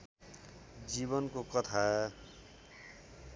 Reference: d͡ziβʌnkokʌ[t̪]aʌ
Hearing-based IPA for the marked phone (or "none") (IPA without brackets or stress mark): t̪ʰ